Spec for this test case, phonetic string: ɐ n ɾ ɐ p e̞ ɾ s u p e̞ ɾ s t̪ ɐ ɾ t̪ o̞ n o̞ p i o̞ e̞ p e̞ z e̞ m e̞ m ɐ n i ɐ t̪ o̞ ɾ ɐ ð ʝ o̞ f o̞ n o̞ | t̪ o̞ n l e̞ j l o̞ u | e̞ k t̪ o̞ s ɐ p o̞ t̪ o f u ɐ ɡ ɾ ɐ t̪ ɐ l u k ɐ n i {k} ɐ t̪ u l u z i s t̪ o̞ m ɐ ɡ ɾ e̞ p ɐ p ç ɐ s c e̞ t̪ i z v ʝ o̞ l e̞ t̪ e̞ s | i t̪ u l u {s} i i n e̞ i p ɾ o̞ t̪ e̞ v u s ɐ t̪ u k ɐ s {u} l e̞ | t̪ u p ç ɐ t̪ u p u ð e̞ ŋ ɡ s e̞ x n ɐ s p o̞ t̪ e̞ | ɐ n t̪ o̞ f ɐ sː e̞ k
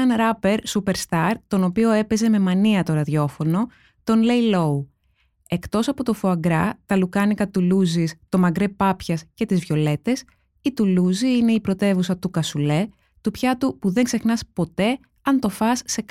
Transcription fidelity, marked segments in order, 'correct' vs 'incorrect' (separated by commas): correct, incorrect, correct